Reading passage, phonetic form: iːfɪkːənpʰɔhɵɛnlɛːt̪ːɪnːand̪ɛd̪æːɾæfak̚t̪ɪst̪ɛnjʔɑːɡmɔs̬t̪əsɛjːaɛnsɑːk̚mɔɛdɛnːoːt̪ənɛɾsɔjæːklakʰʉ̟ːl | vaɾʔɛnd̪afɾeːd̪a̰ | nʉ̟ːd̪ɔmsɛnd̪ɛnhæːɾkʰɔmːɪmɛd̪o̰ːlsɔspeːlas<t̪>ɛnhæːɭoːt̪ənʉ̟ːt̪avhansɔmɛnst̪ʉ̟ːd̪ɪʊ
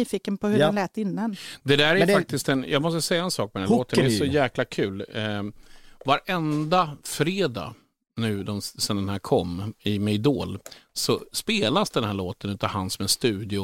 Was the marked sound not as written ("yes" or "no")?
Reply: yes